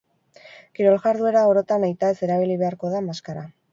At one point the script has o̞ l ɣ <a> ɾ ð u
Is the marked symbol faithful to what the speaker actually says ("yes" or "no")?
yes